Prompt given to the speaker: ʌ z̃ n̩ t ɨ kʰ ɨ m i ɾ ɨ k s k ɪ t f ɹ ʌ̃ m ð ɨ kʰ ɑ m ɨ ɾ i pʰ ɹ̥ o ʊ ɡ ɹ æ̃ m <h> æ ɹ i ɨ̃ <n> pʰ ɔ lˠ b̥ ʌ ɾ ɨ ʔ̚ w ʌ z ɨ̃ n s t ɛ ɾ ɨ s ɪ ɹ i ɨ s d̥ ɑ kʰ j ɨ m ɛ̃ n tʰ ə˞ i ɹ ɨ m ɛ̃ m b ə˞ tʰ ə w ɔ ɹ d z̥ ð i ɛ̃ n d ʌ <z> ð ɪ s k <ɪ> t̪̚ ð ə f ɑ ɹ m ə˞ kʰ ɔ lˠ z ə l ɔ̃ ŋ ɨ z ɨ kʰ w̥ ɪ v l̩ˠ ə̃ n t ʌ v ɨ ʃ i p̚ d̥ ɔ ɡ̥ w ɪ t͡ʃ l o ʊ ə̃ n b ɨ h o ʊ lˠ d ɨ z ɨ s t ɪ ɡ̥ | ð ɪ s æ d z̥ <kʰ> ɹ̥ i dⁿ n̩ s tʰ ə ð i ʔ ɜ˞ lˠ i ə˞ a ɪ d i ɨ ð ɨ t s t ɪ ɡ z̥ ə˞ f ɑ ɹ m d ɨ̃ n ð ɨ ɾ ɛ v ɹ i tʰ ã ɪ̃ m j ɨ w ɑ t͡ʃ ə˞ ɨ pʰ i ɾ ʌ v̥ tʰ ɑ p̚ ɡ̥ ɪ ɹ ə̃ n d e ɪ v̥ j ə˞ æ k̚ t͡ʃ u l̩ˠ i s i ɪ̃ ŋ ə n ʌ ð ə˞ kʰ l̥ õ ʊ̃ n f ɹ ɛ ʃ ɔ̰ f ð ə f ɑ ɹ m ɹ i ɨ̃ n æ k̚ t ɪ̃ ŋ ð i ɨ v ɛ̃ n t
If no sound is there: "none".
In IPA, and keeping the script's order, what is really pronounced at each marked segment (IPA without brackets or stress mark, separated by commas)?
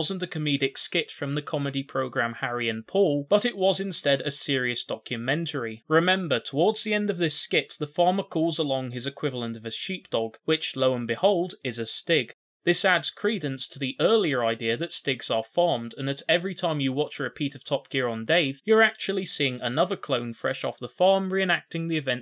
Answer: h, n, v, ɪ, kʰ